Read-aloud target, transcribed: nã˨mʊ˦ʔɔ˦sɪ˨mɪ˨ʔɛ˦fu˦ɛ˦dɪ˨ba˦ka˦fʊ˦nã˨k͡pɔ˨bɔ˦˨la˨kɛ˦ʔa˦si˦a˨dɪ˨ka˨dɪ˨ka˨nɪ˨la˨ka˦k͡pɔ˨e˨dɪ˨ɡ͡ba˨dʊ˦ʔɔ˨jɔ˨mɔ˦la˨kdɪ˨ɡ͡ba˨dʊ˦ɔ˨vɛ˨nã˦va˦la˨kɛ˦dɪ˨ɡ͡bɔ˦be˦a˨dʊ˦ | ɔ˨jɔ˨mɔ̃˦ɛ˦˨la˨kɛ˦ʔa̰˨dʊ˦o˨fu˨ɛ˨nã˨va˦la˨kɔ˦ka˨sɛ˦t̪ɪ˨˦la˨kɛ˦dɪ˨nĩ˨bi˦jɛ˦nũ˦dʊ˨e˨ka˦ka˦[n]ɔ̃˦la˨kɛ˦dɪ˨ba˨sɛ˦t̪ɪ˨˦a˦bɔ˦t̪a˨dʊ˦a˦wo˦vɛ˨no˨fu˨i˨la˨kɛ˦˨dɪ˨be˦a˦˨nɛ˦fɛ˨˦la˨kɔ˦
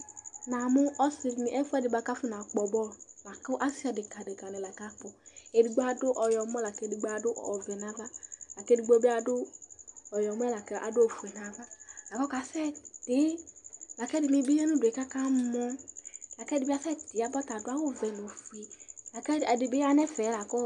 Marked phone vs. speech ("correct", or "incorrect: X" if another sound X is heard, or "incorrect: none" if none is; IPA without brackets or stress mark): incorrect: m